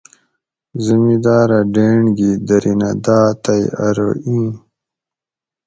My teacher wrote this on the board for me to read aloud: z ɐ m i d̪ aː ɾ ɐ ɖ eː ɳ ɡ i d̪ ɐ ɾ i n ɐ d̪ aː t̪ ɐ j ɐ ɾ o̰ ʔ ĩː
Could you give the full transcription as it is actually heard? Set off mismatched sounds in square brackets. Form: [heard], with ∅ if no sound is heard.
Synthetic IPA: z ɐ m i d̪ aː ɾ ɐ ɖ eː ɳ ɡ i d̪ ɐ ɾ i n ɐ d̪ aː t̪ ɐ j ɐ ɾ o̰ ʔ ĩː